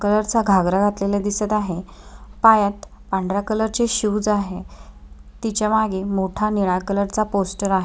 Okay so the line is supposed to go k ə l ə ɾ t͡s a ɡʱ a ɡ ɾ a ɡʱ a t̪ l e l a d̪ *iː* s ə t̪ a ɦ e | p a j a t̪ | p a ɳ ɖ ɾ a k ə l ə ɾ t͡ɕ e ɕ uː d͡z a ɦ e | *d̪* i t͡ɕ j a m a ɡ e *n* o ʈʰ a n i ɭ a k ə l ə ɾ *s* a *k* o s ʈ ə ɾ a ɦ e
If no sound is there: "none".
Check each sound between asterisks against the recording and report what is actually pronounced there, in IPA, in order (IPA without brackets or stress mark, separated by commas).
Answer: i, t̪, m, t͡s, p